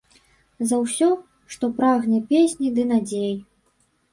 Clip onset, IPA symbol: z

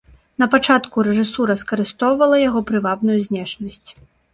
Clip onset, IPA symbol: n̪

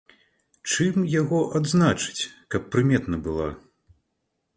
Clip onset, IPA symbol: t͡ʂ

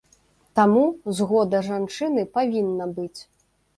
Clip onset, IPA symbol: t̪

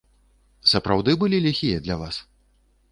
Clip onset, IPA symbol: s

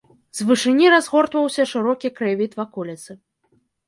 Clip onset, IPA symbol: z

